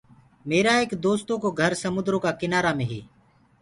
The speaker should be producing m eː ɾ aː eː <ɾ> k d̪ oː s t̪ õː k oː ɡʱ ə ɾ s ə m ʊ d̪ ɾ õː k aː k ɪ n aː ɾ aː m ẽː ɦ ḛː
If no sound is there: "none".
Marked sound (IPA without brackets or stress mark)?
none